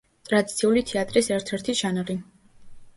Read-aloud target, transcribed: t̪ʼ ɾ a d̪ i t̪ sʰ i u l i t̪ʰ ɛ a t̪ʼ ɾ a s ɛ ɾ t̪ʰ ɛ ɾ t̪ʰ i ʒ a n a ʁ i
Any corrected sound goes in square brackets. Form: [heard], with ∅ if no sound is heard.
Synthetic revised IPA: t̪ʼ ɾ a d̪ i t̪ sʰ i u l i t̪ʰ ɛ a t̪ʼ ɾ [i] s ɛ ɾ t̪ʰ ɛ ɾ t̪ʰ i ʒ a n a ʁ i